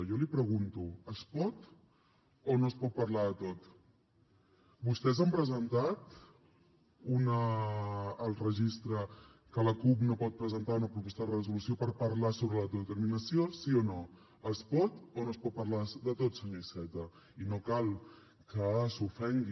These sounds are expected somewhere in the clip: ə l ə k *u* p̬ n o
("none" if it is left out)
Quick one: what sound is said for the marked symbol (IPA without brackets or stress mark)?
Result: u